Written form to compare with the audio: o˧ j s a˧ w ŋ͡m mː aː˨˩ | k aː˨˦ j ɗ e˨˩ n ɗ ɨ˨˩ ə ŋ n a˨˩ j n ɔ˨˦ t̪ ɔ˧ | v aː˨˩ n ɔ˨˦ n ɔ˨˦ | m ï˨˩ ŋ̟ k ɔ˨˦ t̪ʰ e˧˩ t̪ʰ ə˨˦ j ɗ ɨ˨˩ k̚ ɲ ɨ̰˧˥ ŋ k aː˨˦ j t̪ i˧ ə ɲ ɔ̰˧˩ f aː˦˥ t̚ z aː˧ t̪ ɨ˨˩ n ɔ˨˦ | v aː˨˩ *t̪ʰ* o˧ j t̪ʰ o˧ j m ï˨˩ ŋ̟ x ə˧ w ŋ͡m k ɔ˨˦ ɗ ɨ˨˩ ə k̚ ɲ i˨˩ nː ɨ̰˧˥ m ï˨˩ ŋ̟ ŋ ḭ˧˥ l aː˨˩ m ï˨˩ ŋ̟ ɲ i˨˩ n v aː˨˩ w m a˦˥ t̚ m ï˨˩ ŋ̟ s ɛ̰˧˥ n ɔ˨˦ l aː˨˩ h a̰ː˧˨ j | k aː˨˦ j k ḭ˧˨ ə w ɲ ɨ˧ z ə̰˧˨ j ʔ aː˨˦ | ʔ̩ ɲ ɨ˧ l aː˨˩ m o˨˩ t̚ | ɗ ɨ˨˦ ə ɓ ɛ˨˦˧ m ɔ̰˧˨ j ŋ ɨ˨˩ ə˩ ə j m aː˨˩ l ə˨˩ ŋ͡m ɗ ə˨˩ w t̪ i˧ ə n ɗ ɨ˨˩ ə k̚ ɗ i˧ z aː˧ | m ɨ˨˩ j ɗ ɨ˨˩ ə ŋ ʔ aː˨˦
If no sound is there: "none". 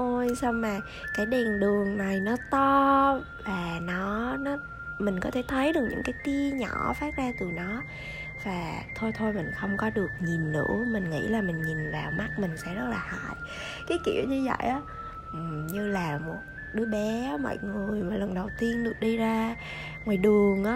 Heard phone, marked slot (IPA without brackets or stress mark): t̪ʰ